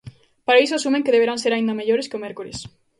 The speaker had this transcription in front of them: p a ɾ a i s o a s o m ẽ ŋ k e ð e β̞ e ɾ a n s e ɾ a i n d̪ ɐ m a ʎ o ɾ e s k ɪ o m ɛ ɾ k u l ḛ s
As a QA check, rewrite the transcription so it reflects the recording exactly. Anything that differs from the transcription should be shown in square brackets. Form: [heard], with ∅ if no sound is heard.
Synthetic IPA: p a ɾ a i s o a s [u] m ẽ ŋ k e ð e β̞ e ɾ a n s e ɾ a i n d̪ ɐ m [e] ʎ o ɾ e s k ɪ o m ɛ ɾ k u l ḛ s